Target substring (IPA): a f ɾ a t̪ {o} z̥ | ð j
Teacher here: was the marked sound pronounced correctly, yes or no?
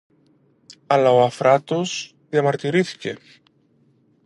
yes